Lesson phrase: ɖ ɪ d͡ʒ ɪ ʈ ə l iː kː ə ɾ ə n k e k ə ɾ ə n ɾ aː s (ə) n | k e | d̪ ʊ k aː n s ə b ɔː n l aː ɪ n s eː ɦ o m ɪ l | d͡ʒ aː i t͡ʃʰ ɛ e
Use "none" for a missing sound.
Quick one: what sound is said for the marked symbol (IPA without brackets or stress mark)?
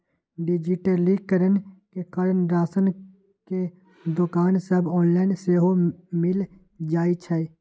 ə